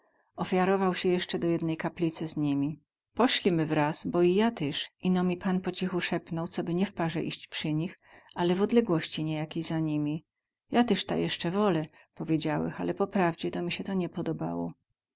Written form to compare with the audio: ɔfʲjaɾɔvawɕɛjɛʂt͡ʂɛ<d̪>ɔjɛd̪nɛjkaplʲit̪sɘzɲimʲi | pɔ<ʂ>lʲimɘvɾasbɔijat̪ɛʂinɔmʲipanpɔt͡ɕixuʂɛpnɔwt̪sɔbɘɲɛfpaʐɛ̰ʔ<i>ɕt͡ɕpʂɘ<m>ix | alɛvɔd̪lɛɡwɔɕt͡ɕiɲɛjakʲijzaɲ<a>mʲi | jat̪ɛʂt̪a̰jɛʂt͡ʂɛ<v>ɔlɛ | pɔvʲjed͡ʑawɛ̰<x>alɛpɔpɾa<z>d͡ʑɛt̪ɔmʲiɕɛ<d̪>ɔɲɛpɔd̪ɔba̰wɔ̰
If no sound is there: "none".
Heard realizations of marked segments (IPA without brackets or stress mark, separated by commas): d̪, ɕ, i, ɲ, i, v, x, v, t̪